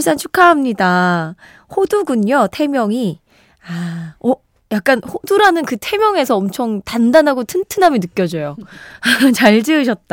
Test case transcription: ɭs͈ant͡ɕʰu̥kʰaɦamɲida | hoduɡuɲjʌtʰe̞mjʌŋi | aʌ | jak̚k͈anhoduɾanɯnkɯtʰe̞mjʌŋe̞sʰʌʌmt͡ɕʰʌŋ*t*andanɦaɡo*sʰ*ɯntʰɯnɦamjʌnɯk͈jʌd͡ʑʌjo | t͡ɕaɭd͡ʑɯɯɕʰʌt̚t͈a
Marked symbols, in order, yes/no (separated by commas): yes, no